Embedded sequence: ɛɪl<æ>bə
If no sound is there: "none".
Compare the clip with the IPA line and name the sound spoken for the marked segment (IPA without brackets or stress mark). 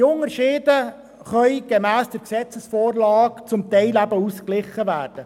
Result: æ